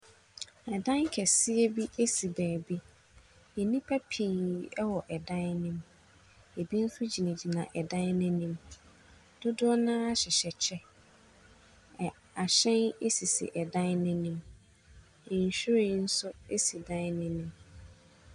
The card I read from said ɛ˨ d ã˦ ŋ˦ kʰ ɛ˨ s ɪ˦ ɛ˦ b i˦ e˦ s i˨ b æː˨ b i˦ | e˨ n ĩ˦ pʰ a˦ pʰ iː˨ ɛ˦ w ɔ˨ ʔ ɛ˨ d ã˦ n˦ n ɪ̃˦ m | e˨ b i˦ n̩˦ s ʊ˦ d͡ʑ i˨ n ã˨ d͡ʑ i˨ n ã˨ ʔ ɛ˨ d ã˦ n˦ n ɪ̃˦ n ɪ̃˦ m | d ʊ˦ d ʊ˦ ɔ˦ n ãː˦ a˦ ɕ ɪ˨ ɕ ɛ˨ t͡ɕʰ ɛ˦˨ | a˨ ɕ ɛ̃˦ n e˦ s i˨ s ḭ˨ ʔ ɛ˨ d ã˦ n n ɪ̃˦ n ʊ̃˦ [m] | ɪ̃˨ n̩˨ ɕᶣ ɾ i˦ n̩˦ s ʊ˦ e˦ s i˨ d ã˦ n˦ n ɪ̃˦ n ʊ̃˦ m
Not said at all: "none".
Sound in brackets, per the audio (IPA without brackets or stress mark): m